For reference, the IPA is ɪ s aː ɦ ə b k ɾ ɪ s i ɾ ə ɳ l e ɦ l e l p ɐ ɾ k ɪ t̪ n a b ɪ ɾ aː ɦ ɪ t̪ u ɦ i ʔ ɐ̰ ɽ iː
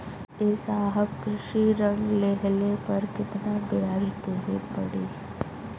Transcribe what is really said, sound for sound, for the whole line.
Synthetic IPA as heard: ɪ s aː ɦ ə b k ɾ ɪ ʃ i ɾ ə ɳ l e ɦ l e p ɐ ɾ k ɪ t̪ n a b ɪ ɾ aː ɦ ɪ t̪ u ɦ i p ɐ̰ ɽ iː